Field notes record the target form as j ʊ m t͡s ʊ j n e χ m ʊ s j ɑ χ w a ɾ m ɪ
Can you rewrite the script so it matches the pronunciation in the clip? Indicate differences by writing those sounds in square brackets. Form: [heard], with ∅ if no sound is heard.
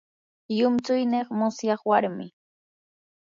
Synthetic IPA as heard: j ʊ m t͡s ʊ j n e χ m ʊ s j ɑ χ w a ɾ m ɪ